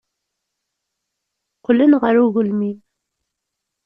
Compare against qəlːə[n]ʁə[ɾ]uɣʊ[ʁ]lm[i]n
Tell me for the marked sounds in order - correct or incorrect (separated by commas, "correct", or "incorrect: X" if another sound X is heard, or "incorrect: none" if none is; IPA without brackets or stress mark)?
correct, correct, incorrect: none, correct